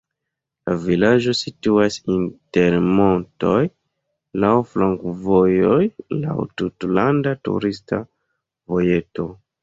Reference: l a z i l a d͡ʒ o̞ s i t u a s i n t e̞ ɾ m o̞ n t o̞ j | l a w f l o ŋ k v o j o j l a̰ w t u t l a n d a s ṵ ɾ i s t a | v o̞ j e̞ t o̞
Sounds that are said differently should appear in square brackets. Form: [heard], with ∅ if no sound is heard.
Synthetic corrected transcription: l a [v] i l a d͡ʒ o̞ s i t u a s i n t e̞ ɾ m o̞ n t o̞ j | l a w f l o ŋ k v o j o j l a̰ w t u t l a n d a [t] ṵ ɾ i s t a | v o̞ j e̞ t o̞